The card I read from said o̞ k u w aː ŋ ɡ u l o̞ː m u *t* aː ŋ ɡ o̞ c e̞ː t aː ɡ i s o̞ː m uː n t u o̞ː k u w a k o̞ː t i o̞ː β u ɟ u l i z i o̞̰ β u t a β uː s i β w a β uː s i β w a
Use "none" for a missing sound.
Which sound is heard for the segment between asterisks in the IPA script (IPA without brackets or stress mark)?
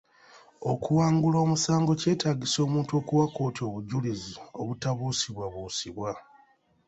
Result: s